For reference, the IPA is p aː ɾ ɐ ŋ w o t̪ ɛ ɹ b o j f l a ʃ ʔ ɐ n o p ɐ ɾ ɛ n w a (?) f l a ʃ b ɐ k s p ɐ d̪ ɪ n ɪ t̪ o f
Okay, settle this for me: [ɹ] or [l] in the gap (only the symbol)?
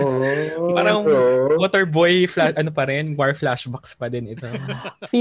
ɹ